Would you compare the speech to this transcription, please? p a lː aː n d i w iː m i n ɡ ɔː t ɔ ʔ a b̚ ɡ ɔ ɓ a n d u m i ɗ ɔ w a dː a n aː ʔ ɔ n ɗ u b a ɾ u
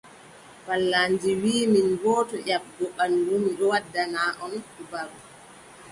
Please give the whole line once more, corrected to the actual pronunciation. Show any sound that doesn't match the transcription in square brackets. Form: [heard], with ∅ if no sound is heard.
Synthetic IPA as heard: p a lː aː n [d͡ʒ] i w iː m i n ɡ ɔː t ɔ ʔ a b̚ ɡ ɔ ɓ a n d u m i ɗ ɔ w a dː a n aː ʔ ɔ n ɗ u b a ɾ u